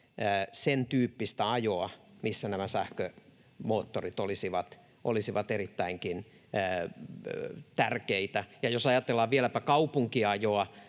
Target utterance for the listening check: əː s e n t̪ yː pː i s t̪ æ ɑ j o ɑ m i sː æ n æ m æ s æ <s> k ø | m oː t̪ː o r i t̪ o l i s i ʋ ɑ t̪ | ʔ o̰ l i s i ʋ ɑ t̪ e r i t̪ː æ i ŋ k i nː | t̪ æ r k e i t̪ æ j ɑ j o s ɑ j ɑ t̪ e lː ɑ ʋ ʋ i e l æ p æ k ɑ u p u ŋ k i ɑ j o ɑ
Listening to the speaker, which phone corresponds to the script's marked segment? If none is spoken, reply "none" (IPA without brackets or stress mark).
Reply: h